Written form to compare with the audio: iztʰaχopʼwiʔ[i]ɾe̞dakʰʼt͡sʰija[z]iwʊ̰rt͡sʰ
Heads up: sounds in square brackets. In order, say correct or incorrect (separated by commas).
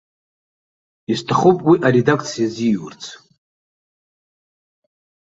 incorrect, correct